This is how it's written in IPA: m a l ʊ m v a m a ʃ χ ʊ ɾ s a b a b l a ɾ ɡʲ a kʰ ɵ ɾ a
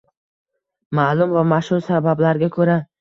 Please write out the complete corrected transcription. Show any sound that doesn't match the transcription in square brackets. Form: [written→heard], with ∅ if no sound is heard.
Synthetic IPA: m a l ʊ m v a m a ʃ [χ→h] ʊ ɾ s a b a b l a ɾ ɡʲ a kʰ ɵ ɾ a